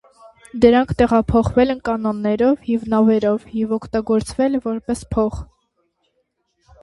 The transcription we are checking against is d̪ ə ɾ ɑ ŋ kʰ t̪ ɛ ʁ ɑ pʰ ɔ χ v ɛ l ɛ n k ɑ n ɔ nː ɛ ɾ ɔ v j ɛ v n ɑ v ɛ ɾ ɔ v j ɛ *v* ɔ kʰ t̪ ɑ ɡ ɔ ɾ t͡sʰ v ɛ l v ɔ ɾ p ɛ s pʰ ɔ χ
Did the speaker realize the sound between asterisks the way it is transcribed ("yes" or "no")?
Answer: yes